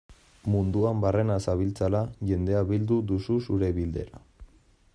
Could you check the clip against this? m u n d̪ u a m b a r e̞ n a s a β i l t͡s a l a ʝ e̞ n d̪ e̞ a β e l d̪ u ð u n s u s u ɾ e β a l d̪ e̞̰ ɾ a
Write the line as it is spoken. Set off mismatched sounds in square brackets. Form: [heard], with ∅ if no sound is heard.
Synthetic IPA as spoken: m u n d̪ u a m b a r e̞ n a s a β i l t͡s a l a ʝ e̞ n d̪ e̞ a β [i] l d̪ u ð u [∅] s u s u ɾ e β [i] l d̪ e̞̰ ɾ a